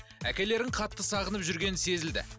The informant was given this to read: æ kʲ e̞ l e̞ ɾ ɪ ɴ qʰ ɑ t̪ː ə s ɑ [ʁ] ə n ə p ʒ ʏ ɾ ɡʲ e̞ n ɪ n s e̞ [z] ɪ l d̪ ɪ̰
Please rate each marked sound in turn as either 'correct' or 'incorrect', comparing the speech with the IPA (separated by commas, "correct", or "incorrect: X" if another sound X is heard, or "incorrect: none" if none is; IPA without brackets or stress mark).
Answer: correct, correct